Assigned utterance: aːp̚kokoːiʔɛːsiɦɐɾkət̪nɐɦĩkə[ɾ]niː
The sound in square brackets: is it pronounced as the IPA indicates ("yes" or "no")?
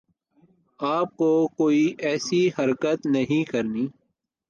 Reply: yes